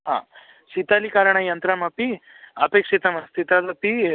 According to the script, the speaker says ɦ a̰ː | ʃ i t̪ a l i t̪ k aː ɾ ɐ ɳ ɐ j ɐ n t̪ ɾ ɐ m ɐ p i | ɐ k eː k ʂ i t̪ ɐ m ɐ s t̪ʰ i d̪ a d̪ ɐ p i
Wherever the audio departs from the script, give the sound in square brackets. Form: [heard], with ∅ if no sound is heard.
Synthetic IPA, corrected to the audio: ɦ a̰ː | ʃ i t̪ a l i [∅] k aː ɾ ɐ ɳ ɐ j ɐ n t̪ ɾ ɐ m ɐ p i | ɐ [p] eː k ʂ i t̪ ɐ m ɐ s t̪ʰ i [t̪] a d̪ ɐ p i